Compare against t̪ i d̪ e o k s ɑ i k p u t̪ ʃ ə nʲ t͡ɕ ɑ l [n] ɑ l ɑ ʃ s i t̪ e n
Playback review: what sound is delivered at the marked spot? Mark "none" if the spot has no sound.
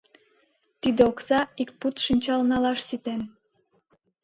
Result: n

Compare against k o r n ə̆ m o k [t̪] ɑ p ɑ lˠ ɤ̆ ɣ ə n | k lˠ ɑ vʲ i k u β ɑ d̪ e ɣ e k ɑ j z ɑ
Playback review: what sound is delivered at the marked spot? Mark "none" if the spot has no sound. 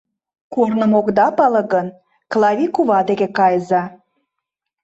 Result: d̪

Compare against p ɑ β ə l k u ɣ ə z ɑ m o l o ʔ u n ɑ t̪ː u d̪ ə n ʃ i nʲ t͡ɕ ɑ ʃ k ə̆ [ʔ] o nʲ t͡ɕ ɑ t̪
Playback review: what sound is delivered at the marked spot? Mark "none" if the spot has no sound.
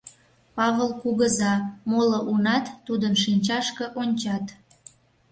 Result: ʔ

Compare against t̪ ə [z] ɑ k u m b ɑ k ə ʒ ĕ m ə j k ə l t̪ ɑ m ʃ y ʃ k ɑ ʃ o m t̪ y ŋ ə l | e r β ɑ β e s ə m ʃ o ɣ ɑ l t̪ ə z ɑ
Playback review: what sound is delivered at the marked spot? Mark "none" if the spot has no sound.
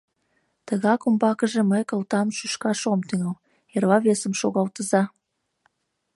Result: ɣ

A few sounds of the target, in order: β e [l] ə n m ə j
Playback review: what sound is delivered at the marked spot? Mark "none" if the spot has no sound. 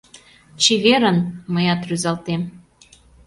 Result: ɾ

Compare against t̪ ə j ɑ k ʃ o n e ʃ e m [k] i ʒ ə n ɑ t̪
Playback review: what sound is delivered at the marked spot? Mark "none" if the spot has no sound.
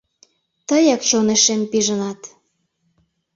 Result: p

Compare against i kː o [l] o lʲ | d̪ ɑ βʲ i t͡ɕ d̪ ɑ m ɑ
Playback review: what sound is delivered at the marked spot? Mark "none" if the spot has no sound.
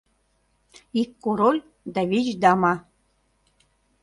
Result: ɾ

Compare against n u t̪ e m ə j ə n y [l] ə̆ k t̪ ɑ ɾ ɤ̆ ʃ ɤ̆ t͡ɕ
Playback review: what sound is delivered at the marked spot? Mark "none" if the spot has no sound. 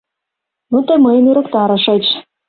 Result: ɾ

